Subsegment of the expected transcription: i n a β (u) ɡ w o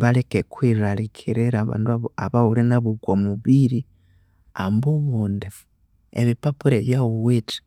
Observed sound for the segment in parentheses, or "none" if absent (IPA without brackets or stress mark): u